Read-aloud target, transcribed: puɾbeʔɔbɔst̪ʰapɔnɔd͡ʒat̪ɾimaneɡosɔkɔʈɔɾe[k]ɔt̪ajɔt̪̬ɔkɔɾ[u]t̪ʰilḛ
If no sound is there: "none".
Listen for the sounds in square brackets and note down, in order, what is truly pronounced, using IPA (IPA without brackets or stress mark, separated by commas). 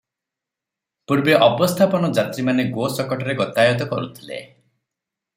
ɡ, u